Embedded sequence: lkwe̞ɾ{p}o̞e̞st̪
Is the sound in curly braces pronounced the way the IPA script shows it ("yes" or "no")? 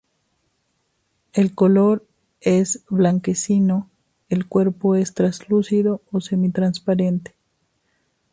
yes